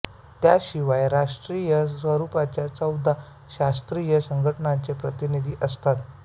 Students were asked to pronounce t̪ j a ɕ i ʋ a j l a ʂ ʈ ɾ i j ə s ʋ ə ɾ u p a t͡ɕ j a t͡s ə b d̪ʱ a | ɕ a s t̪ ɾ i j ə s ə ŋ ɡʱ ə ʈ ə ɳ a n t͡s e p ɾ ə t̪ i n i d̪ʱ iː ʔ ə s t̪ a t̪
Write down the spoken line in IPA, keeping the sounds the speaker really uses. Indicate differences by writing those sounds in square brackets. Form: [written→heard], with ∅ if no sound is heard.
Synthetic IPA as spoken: t̪ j a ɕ i ʋ a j [l→ɾ] a ʂ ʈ ɾ i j ə s ʋ ə ɾ u p a t͡ɕ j a t͡s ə [b→w] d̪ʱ a | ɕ a s t̪ ɾ i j ə s ə ŋ ɡʱ ə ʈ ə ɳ a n t͡s e p ɾ ə t̪ i n i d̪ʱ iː ʔ ə s t̪ a t̪